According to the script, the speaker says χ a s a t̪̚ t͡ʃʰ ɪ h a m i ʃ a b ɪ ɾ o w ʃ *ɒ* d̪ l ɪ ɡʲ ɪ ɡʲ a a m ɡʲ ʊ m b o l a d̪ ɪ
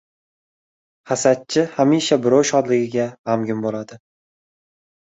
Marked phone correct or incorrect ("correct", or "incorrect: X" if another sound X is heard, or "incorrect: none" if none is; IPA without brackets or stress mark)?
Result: correct